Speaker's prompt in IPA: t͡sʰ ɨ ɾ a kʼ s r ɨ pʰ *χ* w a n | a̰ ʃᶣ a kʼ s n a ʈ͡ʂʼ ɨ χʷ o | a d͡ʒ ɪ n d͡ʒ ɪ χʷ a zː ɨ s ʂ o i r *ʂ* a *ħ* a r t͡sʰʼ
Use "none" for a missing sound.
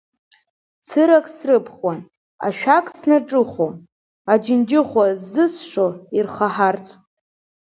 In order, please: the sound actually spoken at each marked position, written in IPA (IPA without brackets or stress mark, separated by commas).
χ, χ, ħ